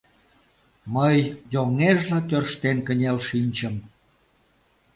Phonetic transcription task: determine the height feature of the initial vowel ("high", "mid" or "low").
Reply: mid